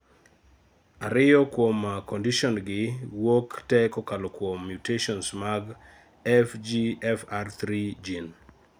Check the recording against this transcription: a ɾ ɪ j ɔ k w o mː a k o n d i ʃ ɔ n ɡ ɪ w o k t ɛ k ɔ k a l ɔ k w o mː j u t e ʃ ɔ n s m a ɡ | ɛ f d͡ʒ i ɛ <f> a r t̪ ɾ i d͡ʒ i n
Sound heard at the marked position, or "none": f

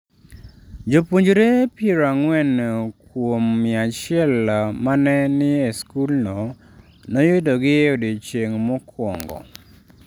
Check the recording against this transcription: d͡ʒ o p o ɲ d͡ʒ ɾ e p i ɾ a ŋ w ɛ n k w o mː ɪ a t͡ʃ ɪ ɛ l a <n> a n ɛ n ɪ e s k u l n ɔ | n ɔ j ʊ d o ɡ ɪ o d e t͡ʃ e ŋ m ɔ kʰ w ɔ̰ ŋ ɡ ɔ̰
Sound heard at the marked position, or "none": m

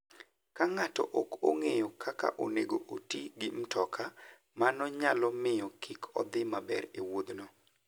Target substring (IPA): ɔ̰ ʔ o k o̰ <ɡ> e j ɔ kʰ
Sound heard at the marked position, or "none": ŋ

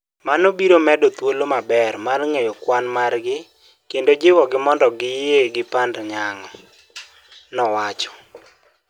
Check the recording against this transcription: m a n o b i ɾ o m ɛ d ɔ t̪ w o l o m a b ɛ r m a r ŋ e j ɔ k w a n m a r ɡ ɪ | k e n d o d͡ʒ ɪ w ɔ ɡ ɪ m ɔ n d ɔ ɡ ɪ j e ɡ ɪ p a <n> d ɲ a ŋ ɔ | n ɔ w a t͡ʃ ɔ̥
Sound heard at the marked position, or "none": n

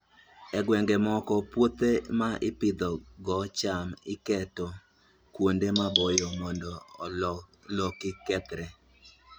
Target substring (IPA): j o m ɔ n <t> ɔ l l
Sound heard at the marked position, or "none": d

